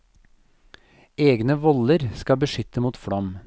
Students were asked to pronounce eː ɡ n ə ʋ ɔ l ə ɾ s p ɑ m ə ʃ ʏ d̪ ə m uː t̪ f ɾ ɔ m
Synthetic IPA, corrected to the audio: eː ɡ n ə ʋ ɔ l ə ɾ s k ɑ b ə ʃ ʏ t̪ ə m uː t̪ f ɽ ɔ m